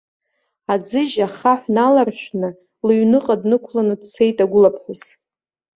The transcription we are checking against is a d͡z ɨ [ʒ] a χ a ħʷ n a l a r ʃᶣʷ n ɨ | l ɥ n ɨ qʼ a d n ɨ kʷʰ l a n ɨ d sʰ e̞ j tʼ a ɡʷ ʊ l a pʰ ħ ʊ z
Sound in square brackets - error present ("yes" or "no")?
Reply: no